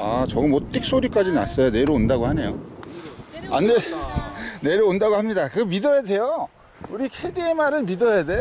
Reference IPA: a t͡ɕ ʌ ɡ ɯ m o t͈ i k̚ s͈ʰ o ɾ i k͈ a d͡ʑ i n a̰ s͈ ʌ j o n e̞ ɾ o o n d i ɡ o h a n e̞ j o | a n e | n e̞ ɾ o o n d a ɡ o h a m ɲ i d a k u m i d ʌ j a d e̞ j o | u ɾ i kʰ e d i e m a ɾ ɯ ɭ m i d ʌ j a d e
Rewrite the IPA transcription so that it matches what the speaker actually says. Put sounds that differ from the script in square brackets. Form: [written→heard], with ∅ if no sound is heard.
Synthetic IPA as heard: a t͡ɕ ʌ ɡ ɯ m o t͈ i k̚ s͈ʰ o ɾ i k͈ a d͡ʑ i n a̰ s͈ ʌ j o n e̞ ɾ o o n d [i→a] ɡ o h a n e̞ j o | a n e | n e̞ ɾ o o n d a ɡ o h a m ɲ i d a k [u→ɯ] m i d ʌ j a d e̞ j o | u ɾ i kʰ e d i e m a ɾ ɯ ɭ m i d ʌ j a d e